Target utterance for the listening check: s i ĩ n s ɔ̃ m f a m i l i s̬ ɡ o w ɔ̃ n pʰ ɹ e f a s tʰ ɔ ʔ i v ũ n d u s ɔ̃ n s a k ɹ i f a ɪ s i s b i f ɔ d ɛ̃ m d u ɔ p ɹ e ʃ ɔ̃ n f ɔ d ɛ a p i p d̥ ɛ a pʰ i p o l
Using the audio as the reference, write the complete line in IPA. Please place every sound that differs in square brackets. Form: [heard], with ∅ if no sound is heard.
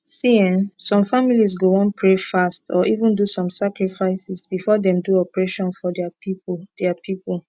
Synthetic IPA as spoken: s i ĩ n s ɔ̃ m f a m i l i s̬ ɡ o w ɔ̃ n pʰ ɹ e f a s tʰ ɔ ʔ i v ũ n d u s ɔ̃ [m] s a k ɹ i f a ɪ s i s b i f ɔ d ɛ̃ m d u ɔ p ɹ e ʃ ɔ̃ n f ɔ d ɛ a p i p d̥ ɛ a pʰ i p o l